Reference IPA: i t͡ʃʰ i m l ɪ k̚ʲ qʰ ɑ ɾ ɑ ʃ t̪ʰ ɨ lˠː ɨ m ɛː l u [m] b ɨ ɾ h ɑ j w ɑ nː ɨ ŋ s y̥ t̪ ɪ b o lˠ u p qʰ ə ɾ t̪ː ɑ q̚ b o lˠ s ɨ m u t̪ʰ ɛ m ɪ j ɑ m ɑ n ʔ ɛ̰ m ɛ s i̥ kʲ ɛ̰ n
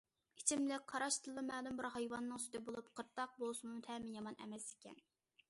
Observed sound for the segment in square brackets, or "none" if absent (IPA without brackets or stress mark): m